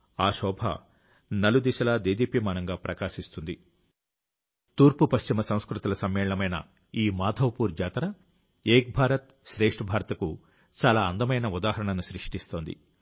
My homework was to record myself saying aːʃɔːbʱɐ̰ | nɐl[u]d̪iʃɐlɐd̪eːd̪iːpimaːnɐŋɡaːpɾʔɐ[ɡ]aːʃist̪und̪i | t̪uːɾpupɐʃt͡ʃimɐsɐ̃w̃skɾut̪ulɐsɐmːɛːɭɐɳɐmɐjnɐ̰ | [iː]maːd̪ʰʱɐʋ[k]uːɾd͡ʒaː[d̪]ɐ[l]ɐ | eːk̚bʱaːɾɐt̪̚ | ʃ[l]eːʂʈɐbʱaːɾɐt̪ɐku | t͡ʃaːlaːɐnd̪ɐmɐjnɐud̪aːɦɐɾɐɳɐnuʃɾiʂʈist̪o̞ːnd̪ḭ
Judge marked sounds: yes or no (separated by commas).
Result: yes, no, yes, no, no, no, no